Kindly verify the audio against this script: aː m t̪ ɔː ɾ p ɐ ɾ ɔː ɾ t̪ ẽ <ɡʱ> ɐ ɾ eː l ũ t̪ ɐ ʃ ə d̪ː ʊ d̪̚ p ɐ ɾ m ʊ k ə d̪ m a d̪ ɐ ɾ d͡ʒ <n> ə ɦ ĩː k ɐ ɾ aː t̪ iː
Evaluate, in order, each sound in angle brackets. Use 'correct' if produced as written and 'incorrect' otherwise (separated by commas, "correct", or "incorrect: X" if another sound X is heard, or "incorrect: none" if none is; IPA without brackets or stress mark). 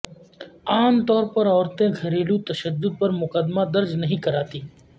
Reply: correct, correct